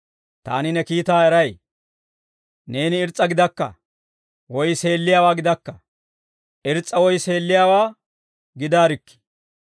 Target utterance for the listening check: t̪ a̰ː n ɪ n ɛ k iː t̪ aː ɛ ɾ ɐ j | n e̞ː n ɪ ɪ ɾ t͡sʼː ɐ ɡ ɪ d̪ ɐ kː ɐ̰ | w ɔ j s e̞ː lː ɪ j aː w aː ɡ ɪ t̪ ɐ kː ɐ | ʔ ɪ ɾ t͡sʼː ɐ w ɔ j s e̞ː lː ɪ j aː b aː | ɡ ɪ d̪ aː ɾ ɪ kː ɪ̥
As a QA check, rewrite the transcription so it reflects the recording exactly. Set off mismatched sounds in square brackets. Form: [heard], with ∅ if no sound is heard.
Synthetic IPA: t̪ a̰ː n ɪ n ɛ k iː t̪ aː ɛ ɾ ɐ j | n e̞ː n ɪ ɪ ɾ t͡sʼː ɐ ɡ ɪ d̪ ɐ kː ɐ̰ | w ɔ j s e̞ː lː ɪ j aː w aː ɡ ɪ [d̪] ɐ kː ɐ | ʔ ɪ ɾ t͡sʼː ɐ w ɔ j s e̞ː lː ɪ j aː [w] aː | ɡ ɪ d̪ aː ɾ ɪ kː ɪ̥